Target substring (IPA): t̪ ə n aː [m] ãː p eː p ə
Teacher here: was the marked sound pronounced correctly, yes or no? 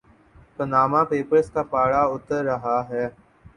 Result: yes